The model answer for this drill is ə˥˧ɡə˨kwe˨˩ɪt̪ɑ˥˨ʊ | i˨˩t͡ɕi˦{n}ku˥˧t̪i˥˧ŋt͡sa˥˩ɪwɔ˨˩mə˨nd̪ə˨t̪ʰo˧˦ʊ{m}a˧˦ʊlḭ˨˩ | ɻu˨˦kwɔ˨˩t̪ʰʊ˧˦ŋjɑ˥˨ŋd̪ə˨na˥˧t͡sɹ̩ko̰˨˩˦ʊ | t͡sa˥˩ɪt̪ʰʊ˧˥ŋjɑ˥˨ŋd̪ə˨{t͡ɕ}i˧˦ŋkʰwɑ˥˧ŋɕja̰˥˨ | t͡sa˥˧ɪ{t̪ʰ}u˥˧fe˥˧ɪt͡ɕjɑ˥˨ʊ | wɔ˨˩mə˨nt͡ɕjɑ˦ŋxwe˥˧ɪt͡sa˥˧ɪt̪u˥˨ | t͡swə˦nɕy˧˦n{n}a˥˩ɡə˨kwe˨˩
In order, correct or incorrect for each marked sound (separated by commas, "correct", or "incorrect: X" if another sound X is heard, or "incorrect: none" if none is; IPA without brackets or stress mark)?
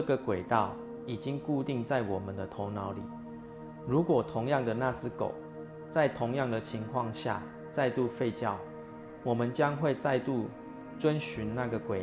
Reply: incorrect: ŋ, incorrect: n, incorrect: t͡ɕʰ, incorrect: t̪, correct